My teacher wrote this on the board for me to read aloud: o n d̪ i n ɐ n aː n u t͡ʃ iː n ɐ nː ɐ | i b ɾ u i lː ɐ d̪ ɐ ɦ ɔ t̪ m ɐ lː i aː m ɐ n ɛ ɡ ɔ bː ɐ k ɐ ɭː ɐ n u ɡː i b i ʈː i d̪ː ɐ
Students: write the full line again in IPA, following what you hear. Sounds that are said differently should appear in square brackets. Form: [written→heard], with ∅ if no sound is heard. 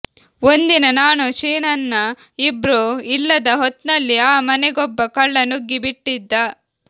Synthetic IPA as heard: o n d̪ i n ɐ n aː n u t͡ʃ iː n ɐ nː ɐ | i b ɾ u i lː ɐ d̪ ɐ ɦ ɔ t̪ [m→n] ɐ lː i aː m ɐ n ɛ ɡ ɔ bː ɐ k ɐ ɭː ɐ n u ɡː i b i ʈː i d̪ː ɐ

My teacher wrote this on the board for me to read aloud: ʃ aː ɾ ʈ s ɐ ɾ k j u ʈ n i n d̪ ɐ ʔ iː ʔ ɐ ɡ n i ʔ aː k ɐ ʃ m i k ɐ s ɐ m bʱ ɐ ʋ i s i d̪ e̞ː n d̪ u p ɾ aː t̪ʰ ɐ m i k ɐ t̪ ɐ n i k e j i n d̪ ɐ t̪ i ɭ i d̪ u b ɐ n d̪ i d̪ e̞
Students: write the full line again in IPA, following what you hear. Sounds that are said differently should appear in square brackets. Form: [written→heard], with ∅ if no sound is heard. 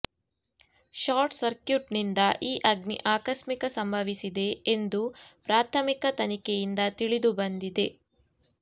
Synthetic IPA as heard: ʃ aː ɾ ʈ s ɐ ɾ k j u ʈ n i n d̪ ɐ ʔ iː ʔ ɐ ɡ n i ʔ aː k ɐ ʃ m i k ɐ s ɐ m bʱ ɐ ʋ i s i d̪ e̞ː n d̪ u p ɾ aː t̪ʰ ɐ m i k ɐ t̪ ɐ n i k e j i n d̪ ɐ t̪ i ɭ i d̪ u b ɐ n d̪ i d̪ e̞

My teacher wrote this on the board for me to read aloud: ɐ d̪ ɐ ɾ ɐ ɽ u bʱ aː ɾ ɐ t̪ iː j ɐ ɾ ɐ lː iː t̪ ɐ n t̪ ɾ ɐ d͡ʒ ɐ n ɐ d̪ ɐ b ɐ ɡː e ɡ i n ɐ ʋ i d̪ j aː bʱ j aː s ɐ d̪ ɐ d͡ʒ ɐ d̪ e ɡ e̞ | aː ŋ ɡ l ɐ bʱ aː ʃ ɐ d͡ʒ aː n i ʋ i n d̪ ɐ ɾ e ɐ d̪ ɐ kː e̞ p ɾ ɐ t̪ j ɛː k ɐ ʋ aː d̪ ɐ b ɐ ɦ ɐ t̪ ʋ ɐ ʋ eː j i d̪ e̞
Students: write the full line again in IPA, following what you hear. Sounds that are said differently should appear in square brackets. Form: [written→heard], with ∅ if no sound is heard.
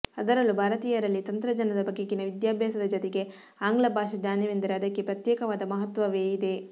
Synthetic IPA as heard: ɐ d̪ ɐ ɾ ɐ [ɽ→l] u bʱ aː ɾ ɐ t̪ iː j ɐ ɾ ɐ lː [iː→i] t̪ ɐ n t̪ ɾ ɐ d͡ʒ ɐ n ɐ d̪ ɐ b ɐ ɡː e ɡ i n ɐ ʋ i d̪ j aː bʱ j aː s ɐ d̪ ɐ d͡ʒ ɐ [d̪→t̪] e ɡ e̞ | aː ŋ ɡ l ɐ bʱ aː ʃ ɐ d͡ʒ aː n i ʋ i n d̪ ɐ ɾ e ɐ d̪ ɐ kː e̞ p ɾ ɐ t̪ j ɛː k ɐ ʋ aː d̪ ɐ [b→m] ɐ ɦ ɐ t̪ ʋ ɐ ʋ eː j i d̪ e̞

